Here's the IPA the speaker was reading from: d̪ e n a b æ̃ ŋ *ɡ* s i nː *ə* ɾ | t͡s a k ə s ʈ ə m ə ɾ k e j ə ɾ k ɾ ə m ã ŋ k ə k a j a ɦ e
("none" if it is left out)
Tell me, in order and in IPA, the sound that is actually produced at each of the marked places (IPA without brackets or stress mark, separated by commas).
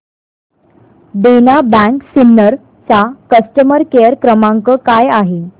k, ə